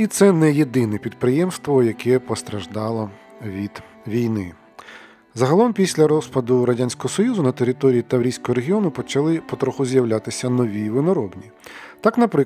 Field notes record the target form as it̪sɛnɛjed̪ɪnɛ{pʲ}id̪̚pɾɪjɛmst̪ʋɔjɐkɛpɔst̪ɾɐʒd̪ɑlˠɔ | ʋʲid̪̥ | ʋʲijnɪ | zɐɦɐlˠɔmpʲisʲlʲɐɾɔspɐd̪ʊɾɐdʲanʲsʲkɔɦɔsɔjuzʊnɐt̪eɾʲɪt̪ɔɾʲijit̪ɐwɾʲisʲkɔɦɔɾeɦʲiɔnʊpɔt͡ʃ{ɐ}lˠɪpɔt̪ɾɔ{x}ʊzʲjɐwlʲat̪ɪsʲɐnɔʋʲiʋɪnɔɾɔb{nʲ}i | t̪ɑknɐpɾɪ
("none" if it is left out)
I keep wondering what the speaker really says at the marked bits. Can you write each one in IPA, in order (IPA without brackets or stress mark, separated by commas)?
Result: pʲ, ɐ, x, nʲ